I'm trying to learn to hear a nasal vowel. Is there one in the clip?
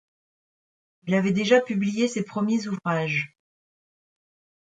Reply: no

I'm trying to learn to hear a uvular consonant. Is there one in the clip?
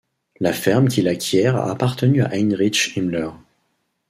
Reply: yes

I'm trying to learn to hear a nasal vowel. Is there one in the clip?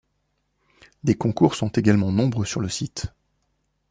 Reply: yes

